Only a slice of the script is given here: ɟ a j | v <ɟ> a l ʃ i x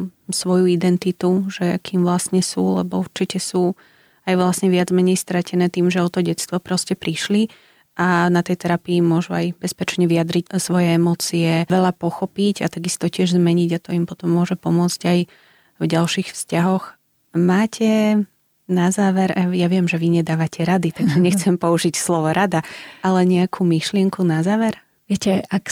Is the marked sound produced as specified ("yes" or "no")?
yes